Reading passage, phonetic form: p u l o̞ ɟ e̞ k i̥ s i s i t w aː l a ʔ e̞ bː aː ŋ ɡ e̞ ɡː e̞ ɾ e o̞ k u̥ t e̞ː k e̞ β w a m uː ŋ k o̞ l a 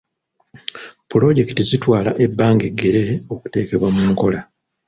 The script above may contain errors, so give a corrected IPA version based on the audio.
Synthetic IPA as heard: p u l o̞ ɟ e̞ k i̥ t i z i t w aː l a ʔ e̞ bː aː ŋ ɡ e̞ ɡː e̞ ɾ e o̞ k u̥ t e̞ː k e̞ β w a m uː ŋ k o̞ l a